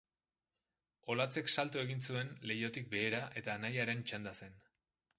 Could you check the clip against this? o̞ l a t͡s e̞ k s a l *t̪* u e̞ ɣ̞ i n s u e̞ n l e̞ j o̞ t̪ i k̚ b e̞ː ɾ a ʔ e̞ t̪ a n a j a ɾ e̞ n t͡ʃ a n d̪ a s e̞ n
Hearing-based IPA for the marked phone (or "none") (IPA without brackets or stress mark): t̪